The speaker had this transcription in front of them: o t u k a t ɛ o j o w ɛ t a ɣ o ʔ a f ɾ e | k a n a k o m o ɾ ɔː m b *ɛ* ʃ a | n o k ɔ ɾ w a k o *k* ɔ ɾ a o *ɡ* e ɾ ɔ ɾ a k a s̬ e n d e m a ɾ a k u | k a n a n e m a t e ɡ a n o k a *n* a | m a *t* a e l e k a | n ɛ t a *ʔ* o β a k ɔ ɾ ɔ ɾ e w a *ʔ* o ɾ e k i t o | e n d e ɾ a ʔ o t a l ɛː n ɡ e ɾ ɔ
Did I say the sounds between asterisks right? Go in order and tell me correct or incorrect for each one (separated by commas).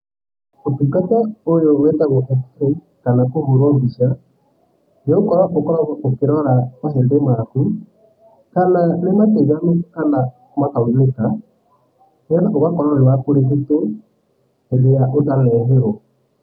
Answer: incorrect, correct, incorrect, correct, incorrect, incorrect, incorrect